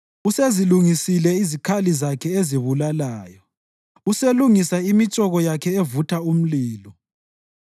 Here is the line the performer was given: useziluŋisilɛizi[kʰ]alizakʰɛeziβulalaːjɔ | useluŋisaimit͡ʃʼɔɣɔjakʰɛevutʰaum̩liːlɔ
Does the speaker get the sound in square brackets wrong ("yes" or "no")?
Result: no